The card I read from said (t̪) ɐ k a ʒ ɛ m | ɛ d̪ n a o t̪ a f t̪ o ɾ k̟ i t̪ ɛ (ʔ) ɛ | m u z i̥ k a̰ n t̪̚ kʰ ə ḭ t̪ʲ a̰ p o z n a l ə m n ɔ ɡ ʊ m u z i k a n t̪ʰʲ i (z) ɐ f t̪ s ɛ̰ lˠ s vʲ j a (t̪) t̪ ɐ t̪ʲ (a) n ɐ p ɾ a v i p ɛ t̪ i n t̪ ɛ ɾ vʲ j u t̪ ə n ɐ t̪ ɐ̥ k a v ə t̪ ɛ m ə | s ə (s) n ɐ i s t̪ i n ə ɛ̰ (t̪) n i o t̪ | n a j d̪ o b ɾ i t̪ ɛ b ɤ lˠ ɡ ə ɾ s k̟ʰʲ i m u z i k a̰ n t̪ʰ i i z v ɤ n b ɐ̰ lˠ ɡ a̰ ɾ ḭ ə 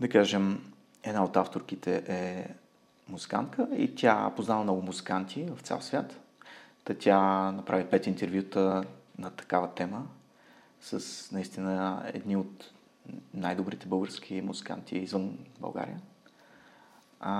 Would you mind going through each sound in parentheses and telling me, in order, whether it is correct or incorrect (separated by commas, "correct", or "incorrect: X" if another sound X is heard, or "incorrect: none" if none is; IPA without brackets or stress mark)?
incorrect: d̪, correct, incorrect: v, correct, correct, correct, incorrect: d̪